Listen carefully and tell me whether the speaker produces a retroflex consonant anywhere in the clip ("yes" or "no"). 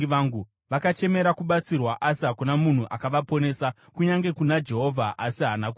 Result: no